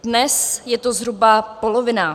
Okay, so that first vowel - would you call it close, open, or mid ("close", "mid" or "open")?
mid